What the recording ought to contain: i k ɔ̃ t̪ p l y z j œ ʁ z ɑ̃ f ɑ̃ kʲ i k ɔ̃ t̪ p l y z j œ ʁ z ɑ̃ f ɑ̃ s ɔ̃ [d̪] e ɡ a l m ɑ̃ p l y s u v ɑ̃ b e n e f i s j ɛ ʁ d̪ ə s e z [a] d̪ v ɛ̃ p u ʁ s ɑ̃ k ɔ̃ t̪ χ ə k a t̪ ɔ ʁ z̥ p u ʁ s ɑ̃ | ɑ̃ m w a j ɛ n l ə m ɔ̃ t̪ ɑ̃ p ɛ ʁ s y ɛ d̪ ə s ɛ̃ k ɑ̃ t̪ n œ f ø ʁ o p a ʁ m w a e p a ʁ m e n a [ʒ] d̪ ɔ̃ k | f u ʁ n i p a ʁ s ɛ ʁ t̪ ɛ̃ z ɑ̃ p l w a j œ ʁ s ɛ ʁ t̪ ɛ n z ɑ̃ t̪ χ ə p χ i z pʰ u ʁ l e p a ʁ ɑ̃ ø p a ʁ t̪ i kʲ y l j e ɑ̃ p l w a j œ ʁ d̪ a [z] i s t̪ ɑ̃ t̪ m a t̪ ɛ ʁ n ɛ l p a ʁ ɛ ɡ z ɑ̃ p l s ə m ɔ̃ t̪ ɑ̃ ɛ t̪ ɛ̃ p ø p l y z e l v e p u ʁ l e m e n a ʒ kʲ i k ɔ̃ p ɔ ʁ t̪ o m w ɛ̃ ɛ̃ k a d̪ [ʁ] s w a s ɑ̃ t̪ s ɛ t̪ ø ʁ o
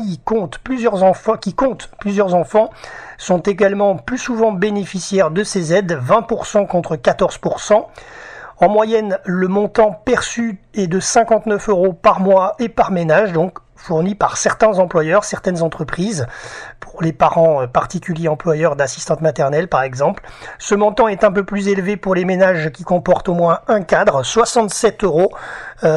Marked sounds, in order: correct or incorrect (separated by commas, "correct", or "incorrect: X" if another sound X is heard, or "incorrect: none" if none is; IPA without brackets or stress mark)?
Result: incorrect: t̪, incorrect: ɛ, correct, incorrect: s, correct